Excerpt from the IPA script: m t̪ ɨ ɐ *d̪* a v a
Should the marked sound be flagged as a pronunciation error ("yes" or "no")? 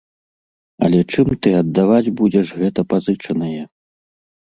yes